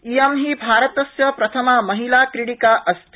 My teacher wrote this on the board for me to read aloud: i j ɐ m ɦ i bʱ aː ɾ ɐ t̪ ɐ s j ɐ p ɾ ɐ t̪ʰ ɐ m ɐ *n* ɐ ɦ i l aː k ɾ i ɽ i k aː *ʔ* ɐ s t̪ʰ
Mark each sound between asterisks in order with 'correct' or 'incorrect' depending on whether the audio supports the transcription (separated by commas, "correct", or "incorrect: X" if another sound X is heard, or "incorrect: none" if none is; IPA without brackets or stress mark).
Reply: incorrect: m, correct